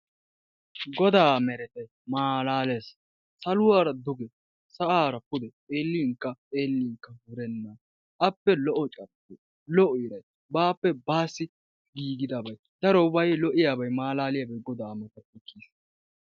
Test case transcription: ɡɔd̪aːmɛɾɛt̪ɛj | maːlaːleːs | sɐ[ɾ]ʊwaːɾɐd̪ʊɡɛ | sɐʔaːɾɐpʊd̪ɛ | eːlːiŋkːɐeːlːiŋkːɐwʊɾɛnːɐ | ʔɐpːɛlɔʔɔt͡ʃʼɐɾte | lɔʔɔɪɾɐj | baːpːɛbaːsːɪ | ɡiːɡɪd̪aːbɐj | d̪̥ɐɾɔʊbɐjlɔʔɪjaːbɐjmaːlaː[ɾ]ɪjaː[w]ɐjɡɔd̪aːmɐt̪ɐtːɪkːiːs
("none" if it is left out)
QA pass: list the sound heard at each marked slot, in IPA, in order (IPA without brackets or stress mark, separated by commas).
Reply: l, l, b